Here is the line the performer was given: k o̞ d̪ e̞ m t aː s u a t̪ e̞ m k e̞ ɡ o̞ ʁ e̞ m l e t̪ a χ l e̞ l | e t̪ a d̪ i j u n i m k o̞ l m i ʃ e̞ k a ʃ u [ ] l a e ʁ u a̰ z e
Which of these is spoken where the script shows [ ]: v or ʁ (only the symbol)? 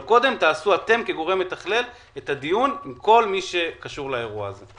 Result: ʁ